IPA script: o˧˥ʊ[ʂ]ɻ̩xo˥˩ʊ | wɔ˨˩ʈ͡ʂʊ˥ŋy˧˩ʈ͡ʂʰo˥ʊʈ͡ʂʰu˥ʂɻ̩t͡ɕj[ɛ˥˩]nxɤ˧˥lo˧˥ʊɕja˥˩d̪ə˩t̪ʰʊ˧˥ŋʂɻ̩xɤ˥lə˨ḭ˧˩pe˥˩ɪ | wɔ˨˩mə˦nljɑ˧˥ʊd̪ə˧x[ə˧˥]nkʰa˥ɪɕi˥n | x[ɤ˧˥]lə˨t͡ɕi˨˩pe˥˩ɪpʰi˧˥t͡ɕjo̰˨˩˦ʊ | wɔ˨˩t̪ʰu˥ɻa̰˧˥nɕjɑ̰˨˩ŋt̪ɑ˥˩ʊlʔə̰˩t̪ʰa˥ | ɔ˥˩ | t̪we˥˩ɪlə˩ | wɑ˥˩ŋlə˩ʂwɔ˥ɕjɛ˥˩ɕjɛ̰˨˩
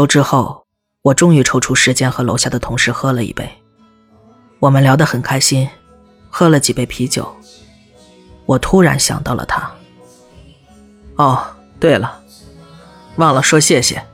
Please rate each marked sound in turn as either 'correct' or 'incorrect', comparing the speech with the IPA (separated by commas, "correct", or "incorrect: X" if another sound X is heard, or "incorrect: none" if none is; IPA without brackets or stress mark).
incorrect: ʈ͡ʂ, incorrect: ɛ˥, incorrect: ə˨˩, incorrect: ɤ˥